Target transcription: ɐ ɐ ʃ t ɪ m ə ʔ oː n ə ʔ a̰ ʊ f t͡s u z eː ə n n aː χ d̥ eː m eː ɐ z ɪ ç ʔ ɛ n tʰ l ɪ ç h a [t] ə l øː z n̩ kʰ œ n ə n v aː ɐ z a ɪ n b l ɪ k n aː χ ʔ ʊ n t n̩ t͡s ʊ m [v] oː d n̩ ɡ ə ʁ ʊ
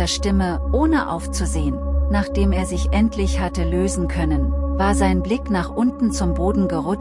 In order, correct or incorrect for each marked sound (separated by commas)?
correct, incorrect